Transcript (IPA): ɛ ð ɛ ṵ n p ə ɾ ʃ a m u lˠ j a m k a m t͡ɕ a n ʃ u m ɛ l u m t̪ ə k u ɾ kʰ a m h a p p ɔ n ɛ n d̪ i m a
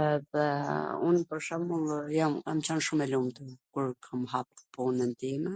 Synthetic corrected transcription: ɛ ð ɛ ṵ n p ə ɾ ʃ a m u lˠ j a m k a m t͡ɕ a n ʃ u m ɛ l u m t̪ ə k u ɾ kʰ a m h a p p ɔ n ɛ n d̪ i m ɛ